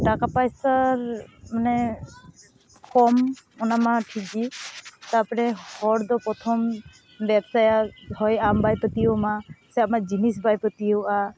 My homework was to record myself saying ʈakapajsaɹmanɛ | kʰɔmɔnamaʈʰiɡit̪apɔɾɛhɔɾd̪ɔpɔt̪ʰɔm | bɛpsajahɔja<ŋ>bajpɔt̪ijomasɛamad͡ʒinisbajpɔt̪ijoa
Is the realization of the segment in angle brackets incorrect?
yes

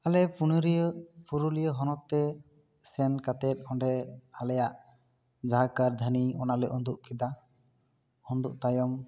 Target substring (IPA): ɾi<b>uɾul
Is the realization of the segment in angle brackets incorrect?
yes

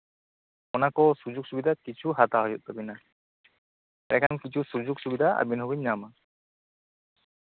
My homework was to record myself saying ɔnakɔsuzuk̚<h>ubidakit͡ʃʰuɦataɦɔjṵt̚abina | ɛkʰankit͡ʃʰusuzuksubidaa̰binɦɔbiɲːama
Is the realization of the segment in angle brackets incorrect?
yes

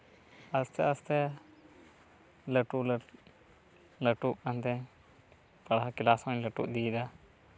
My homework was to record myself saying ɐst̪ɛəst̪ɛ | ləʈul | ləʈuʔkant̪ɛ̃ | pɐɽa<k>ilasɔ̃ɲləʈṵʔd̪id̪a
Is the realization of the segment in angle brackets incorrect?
no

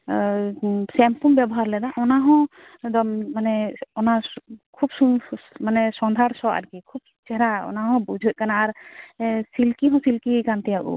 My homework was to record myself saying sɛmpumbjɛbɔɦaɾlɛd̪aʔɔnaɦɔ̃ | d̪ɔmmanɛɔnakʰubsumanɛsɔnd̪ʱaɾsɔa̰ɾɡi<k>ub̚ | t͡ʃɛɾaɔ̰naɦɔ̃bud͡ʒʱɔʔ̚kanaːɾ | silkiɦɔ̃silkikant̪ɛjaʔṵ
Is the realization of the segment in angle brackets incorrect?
yes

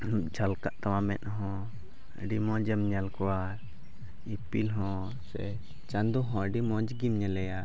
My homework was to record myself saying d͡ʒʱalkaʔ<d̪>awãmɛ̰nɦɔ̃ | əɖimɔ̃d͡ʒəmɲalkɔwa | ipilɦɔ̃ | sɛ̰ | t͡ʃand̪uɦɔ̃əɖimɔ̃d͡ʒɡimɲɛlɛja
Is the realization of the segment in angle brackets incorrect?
yes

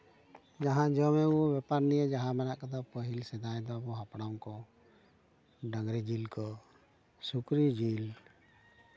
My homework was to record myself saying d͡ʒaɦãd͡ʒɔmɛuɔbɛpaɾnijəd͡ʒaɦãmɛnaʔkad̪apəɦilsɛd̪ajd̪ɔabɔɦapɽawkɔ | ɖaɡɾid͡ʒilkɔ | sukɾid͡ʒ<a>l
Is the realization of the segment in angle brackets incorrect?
yes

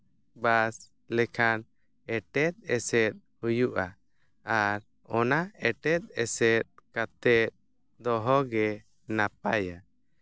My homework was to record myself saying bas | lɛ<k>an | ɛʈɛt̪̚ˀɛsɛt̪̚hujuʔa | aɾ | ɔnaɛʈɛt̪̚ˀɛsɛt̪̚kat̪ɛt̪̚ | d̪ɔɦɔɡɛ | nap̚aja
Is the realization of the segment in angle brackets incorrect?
yes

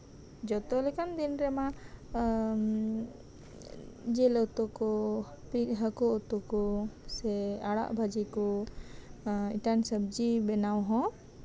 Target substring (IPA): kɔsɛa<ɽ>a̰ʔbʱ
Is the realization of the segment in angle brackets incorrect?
no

